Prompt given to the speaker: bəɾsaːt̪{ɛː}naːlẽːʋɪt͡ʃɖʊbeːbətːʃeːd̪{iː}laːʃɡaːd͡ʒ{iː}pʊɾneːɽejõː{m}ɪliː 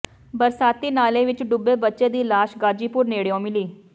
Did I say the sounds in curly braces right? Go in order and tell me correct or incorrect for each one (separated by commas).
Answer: incorrect, correct, correct, correct